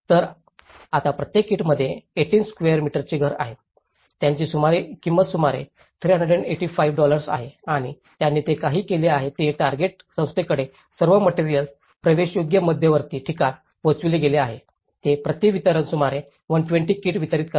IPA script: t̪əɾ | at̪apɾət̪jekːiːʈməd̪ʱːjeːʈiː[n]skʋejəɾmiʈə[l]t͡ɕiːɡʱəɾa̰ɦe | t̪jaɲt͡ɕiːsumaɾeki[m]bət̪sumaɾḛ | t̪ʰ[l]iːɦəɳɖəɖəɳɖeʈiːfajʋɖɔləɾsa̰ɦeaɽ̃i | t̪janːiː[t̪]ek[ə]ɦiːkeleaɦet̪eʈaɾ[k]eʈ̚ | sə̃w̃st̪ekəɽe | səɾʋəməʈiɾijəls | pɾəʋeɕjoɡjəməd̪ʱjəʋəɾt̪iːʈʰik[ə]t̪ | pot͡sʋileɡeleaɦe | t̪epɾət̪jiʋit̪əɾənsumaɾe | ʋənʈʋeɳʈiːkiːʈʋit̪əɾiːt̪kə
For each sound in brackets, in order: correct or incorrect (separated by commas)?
correct, incorrect, correct, incorrect, correct, incorrect, incorrect, incorrect